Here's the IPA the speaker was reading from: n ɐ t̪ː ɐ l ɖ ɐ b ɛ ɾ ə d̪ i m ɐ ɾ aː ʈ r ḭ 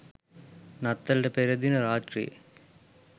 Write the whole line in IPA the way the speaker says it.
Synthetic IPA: n ɐ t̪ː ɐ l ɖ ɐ p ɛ ɾ ɐ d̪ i n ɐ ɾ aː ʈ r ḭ